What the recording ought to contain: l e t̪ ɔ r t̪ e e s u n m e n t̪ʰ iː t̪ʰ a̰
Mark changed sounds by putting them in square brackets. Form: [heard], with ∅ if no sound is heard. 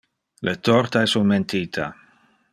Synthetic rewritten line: l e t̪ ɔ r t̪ [a] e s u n m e n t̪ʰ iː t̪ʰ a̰

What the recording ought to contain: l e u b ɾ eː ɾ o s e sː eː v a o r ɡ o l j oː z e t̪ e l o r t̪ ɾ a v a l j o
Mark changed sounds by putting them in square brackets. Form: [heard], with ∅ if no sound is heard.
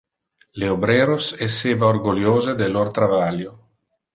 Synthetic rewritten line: l e [o] b ɾ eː ɾ o s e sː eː v a o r ɡ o l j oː z e [d̪] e l o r t̪ ɾ a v a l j o

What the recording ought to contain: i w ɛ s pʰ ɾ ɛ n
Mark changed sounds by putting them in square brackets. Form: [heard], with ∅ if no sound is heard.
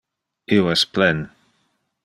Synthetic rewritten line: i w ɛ s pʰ [l] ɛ n

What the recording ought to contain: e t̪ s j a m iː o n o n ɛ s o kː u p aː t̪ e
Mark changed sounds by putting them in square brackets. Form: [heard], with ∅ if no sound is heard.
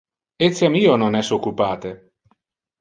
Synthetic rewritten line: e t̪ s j a m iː o n o n ɛ s o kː u p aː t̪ e

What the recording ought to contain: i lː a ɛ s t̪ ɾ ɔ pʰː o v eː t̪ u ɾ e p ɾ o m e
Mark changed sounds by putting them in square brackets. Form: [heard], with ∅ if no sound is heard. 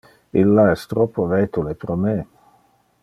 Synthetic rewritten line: i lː a ɛ s t̪ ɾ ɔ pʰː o v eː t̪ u [l] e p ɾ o m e

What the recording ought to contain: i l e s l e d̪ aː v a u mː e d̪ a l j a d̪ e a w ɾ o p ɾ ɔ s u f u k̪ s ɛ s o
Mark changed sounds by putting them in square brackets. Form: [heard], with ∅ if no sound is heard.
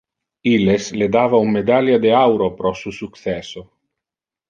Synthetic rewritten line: i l e s l e d̪ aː v a u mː e d̪ a l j a d̪ e a w ɾ o p ɾ ɔ s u [s] u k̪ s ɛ s o

